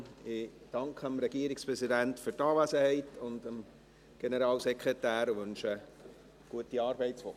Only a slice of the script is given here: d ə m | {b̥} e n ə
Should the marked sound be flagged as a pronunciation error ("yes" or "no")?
yes